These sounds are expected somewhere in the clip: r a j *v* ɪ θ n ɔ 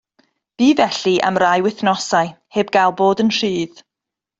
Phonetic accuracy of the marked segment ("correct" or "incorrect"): incorrect